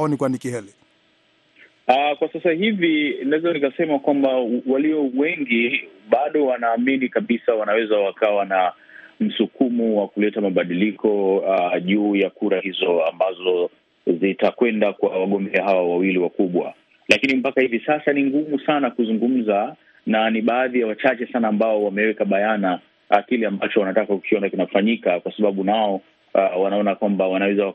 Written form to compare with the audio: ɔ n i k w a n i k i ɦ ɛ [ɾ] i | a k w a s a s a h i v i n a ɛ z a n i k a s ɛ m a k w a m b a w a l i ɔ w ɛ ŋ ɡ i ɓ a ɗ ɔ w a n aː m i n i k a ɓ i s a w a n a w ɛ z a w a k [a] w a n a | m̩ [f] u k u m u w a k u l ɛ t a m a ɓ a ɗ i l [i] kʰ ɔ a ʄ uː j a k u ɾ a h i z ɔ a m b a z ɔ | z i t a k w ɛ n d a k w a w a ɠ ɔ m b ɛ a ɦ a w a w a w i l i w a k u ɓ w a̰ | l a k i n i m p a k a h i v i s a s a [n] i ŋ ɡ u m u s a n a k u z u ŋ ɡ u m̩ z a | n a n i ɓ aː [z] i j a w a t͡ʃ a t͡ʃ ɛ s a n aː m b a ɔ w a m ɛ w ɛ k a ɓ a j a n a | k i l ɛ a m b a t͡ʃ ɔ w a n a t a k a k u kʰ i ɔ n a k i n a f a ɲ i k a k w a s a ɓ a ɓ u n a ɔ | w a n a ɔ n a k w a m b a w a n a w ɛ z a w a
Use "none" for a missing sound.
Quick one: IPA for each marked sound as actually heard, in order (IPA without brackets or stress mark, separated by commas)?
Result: l, a, s, i, n, ð